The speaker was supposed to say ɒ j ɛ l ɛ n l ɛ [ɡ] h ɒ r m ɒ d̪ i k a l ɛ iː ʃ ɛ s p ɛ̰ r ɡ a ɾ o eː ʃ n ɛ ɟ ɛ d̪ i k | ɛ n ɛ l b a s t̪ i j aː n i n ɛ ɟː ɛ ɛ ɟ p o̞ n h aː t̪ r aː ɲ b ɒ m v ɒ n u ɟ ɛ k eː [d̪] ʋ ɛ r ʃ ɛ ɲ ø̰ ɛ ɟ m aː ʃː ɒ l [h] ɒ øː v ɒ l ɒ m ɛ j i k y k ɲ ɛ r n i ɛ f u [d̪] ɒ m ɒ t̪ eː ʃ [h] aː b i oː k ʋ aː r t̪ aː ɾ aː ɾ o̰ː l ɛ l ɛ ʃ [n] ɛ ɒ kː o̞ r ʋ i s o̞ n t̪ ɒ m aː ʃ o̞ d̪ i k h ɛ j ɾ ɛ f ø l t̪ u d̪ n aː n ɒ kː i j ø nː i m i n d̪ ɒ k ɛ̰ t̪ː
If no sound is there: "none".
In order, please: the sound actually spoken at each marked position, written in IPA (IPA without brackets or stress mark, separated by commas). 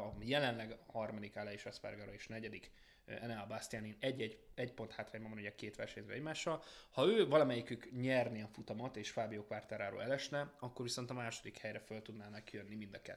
ɡ, t̪, h, t̪, f, n